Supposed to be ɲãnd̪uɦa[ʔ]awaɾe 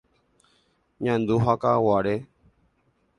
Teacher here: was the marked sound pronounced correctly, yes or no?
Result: no